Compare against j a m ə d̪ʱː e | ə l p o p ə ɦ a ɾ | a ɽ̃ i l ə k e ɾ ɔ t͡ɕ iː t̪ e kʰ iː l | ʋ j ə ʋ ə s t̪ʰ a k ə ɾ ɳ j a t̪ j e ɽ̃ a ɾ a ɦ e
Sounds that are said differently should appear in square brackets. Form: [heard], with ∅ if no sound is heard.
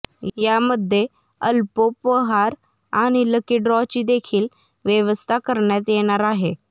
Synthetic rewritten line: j a m ə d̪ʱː e | ə l p o p ə ɦ a ɾ | a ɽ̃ i l ə k [i] ɾ ɔ t͡ɕ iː [d̪] e kʰ iː l | ʋ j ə ʋ ə s t̪ʰ a k ə ɾ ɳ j a t̪ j e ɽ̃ a ɾ a ɦ e